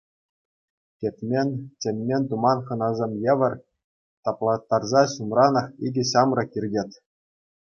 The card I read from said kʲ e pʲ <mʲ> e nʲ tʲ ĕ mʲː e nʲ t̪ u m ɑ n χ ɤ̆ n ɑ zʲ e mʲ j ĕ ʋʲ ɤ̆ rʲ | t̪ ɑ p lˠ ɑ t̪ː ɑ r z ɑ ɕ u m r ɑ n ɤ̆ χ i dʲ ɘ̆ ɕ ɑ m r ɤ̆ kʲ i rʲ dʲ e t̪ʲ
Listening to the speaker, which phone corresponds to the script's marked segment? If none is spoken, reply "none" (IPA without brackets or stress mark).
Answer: mʲ